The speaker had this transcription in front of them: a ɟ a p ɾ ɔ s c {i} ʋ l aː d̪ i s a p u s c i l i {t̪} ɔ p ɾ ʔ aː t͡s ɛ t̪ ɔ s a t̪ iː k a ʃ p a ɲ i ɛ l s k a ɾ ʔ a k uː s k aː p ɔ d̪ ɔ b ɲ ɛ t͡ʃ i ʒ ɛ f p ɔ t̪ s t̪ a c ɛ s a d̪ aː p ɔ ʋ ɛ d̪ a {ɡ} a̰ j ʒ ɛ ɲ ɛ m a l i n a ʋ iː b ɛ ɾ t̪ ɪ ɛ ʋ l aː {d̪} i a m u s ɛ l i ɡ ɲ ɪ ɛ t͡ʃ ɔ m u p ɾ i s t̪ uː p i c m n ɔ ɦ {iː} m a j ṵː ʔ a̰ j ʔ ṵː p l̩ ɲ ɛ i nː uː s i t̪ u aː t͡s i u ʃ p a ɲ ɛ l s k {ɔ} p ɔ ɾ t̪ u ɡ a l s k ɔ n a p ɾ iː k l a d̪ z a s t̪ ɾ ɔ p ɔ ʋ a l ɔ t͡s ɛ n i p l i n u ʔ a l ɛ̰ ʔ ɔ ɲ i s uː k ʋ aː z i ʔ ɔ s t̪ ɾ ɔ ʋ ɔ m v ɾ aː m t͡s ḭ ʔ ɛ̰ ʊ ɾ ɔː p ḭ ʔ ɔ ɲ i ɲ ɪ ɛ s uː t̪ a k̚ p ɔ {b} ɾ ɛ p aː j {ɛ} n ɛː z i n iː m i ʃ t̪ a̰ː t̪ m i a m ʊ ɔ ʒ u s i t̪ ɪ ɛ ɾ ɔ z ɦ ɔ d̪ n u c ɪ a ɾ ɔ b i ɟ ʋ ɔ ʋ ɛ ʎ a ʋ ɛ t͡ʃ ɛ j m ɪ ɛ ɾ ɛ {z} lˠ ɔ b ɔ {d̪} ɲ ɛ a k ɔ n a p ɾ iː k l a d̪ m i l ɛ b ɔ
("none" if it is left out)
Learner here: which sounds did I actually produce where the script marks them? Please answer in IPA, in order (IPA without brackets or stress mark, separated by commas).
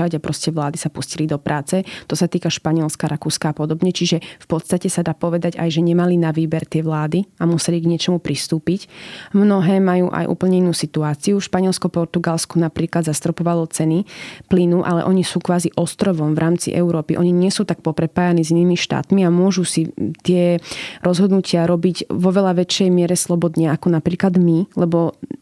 ɛ, d̪, ɟ, d̪, ɛː, ɔ, p, a, s, d̪